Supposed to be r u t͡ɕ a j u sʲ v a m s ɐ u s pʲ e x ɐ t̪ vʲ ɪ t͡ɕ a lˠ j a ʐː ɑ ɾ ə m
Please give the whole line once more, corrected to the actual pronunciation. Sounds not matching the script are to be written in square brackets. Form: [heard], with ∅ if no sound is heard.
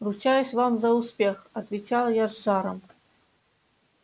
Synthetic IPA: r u t͡ɕ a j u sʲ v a m [z] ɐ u s pʲ e x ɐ t̪ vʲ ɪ t͡ɕ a lˠ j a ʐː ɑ ɾ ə m